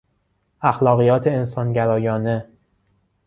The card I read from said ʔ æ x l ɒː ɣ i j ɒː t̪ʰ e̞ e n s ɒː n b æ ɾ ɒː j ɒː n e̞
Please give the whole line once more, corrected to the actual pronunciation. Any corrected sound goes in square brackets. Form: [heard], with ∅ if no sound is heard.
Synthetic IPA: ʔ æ x l ɒː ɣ i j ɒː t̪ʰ e̞ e n s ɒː n [ɟ] æ ɾ ɒː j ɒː n e̞